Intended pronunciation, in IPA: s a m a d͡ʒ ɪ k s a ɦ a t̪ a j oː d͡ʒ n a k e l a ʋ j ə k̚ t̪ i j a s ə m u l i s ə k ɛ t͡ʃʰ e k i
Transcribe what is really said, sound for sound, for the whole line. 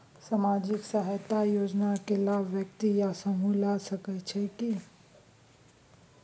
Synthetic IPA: s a m a d͡ʒ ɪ k s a ɦ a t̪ a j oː d͡ʒ n a k e l a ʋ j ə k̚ t̪ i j a s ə m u l a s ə k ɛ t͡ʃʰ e k i